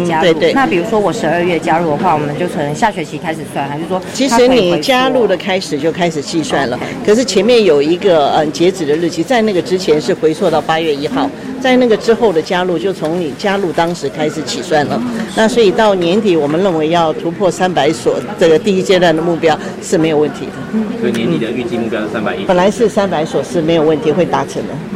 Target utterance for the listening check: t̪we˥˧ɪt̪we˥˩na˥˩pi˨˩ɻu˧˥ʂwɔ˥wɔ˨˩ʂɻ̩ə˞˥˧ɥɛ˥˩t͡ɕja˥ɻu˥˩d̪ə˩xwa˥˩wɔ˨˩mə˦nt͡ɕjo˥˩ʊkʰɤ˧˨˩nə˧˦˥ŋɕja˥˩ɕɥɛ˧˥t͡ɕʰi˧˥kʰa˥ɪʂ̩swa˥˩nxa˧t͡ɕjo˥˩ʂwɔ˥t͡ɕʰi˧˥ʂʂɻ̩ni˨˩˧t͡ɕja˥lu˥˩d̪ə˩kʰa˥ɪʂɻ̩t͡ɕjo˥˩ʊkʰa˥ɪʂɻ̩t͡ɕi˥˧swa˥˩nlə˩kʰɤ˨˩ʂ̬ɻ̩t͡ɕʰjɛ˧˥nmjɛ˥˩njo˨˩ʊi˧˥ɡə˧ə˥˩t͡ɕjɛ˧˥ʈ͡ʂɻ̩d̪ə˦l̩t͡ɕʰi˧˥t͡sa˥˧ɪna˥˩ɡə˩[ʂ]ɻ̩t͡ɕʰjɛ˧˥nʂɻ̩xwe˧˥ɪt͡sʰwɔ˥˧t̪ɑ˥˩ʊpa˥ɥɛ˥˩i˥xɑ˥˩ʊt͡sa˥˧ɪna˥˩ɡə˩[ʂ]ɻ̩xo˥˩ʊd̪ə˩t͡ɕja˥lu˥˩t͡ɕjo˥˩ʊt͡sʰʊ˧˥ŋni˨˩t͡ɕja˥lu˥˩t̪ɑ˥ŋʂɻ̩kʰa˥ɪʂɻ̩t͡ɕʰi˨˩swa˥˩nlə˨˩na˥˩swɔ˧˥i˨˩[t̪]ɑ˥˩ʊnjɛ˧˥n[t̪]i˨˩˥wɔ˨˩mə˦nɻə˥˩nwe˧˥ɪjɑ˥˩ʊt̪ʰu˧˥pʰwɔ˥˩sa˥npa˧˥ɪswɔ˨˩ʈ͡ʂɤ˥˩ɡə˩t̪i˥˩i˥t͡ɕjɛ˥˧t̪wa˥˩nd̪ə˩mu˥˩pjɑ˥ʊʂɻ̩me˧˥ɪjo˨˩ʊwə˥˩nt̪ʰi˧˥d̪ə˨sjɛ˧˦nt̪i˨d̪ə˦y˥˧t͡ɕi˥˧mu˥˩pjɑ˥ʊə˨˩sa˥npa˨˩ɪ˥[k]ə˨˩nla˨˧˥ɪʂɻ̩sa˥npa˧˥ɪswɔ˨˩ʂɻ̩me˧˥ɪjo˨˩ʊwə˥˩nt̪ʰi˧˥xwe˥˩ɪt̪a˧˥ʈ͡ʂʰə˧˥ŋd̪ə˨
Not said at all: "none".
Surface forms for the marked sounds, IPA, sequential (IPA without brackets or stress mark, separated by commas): ʈ͡ʂ, ʈ͡ʂ, t̪, t̪, p